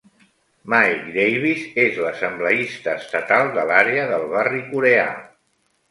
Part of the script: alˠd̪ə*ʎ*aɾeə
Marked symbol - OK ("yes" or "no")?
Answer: no